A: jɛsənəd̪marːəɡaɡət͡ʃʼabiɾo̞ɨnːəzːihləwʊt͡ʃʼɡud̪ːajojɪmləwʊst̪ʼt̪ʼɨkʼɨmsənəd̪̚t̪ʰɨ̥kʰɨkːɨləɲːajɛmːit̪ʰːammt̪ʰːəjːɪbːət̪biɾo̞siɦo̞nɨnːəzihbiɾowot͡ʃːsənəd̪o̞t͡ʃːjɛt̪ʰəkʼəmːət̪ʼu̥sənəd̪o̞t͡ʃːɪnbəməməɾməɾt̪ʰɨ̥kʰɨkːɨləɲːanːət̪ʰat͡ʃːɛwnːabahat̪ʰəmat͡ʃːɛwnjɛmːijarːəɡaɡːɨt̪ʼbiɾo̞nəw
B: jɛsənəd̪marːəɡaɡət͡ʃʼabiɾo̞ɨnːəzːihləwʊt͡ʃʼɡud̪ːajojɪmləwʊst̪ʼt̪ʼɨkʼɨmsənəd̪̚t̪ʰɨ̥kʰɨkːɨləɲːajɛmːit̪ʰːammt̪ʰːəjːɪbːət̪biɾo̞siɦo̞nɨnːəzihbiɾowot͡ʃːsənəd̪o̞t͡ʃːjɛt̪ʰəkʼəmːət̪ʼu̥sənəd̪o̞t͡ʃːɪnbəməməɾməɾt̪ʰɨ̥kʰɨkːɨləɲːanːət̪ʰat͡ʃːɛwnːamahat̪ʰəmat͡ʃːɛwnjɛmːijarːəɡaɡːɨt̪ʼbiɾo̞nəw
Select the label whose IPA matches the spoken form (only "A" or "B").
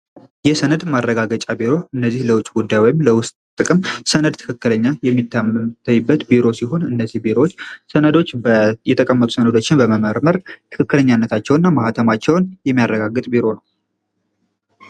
B